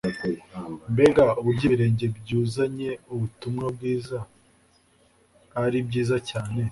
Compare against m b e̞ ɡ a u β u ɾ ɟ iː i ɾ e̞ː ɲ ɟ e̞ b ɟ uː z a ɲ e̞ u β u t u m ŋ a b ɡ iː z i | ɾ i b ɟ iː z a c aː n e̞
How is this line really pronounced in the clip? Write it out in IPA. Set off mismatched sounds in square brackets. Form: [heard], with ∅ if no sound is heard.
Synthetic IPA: m b e̞ ɡ a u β u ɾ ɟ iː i ɾ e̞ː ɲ ɟ e̞ b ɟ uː z a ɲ e̞ u β u t u m ŋ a b ɡ iː z [a] | ɾ i b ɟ iː z a c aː n e̞